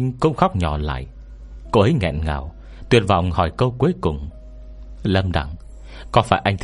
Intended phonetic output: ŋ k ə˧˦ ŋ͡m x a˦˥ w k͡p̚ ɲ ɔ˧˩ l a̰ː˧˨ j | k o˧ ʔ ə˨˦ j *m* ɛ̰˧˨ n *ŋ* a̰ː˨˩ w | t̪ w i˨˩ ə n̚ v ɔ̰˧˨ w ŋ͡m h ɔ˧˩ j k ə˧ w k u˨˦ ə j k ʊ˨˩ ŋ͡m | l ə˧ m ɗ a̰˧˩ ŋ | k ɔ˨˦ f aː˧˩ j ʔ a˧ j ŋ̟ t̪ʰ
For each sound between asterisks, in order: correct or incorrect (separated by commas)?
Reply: incorrect, correct